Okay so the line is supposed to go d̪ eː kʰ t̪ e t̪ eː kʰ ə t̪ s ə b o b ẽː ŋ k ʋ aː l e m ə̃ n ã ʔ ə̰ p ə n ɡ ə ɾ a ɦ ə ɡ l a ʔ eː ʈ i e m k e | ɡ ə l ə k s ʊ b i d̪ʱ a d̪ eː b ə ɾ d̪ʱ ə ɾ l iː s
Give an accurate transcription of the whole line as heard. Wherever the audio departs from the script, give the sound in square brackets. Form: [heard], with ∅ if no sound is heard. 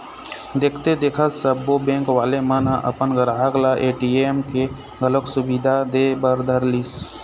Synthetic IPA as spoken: d̪ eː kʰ t̪ e [d̪] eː kʰ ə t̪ s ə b o b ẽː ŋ k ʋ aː l e m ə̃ n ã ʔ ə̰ p ə n ɡ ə ɾ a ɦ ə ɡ l a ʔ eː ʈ i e m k e | ɡ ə l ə k s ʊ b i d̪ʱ a d̪ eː b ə ɾ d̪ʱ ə ɾ l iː s

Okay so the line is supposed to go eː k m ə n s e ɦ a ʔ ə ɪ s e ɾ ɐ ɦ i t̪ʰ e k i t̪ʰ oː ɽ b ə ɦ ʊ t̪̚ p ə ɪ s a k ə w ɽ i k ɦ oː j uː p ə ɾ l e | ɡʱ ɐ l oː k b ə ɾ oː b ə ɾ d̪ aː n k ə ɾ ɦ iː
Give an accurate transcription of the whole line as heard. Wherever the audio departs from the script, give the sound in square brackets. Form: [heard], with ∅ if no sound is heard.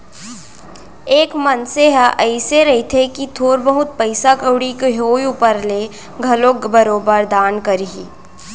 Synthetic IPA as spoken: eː k m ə n s e ɦ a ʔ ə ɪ s e ɾ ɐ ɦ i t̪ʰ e k i t̪ʰ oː [ɾ] b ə ɦ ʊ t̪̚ p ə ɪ s a k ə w ɽ i k ɦ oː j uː p ə ɾ l e | ɡʱ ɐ l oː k b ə ɾ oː b ə ɾ d̪ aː n k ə ɾ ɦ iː

